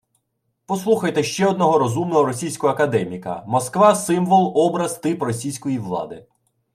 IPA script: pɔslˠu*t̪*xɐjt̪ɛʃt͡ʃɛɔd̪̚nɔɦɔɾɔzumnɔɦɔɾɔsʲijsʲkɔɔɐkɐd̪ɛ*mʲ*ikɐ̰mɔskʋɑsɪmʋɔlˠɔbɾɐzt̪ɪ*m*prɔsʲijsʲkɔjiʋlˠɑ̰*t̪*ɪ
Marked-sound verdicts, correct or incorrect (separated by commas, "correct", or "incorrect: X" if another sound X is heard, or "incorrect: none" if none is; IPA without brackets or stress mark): incorrect: none, correct, incorrect: none, incorrect: d̪